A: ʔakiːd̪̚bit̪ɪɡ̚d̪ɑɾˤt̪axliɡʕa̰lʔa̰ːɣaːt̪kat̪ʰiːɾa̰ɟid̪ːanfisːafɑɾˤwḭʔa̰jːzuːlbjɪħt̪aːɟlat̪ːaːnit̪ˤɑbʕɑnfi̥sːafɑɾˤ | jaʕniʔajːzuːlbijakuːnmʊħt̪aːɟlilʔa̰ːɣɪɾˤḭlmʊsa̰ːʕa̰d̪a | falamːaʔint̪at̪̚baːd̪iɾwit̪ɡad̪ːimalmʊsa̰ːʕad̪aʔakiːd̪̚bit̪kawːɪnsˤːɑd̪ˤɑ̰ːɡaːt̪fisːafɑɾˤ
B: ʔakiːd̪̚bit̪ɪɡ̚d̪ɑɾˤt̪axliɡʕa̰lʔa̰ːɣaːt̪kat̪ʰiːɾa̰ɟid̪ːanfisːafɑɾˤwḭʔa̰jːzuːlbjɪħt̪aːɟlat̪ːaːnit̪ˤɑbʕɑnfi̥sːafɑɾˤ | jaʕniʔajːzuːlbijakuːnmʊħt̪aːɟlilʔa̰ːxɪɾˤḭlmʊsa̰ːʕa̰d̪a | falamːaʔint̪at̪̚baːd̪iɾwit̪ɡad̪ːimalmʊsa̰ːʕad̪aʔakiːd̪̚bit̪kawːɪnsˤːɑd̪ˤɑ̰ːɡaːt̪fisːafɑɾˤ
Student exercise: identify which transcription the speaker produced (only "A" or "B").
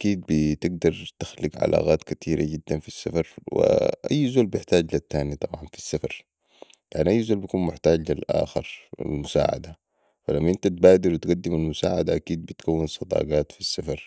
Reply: B